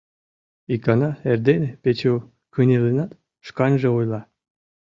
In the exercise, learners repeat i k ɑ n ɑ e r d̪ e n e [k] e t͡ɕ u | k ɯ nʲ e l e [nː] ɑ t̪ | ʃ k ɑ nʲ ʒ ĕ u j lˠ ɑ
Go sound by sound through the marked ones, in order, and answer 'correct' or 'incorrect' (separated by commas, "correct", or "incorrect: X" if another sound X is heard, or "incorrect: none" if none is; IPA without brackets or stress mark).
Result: incorrect: p, incorrect: n